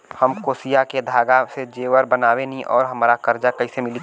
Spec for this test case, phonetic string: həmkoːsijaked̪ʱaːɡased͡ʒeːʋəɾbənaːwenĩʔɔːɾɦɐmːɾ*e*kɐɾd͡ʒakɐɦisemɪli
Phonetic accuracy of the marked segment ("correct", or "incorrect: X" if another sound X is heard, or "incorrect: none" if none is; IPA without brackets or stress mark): incorrect: a